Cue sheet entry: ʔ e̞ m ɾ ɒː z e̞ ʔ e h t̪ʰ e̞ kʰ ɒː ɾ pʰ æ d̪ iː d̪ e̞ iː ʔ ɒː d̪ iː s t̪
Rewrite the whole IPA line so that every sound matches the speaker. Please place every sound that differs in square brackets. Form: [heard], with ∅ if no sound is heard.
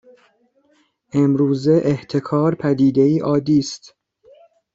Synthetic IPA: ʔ e̞ m ɾ [uː] z e̞ ʔ e h t̪ʰ e̞ kʰ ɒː ɾ pʰ æ d̪ iː d̪ e̞ iː ʔ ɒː d̪ iː s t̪